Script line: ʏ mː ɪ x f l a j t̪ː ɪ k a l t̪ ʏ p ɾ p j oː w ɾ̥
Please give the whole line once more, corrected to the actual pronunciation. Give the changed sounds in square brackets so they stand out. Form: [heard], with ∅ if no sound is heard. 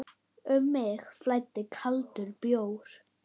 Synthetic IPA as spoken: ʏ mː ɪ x f l a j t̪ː ɪ [kʰ] a l t̪ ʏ [∅] ɾ p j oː w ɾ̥